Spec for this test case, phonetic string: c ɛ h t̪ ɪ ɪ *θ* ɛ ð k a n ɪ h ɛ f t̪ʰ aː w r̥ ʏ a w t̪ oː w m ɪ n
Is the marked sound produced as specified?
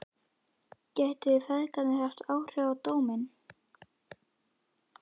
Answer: no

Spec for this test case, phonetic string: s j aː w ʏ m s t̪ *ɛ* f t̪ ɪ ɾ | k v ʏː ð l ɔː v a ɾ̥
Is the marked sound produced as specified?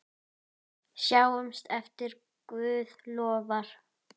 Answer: yes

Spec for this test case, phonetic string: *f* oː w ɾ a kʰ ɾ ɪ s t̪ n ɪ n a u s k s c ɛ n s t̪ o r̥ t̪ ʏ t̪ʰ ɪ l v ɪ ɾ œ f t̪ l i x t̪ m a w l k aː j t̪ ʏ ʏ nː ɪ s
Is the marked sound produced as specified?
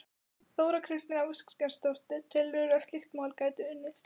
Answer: no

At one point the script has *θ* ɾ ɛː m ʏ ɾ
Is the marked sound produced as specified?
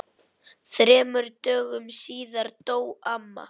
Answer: yes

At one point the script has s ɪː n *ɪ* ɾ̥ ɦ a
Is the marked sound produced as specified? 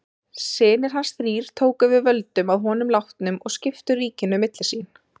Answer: yes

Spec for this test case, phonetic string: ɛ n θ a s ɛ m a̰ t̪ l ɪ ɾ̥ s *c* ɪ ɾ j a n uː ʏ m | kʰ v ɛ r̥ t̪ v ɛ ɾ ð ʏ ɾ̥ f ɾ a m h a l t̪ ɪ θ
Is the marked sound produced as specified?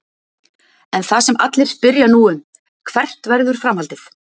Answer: no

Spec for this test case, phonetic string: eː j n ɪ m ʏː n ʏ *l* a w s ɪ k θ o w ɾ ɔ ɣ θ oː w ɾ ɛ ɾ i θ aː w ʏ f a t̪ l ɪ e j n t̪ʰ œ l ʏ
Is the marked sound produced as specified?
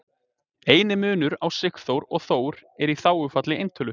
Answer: no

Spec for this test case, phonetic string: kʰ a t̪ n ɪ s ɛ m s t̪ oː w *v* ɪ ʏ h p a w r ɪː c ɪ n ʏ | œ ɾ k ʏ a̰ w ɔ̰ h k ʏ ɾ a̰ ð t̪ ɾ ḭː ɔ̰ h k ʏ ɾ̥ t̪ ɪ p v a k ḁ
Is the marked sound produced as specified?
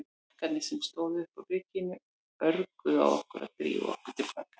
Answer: no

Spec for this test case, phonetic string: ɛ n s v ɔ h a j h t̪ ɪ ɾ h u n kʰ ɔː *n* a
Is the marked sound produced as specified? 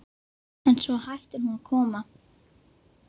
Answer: no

